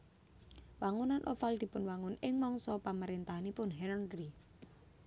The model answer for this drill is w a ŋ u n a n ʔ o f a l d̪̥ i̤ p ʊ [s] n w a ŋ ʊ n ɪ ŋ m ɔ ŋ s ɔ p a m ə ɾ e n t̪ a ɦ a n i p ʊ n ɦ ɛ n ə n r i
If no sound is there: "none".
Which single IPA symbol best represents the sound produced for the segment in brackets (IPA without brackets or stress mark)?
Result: none